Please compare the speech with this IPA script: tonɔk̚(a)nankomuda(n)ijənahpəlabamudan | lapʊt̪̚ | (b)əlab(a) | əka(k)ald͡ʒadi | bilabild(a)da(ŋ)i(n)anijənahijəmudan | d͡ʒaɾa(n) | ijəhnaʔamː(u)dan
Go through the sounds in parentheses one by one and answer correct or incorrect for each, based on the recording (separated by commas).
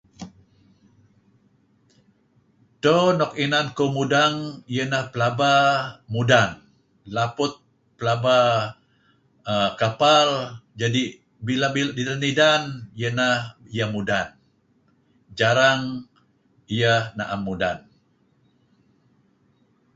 incorrect, incorrect, incorrect, correct, incorrect, incorrect, incorrect, incorrect, incorrect, correct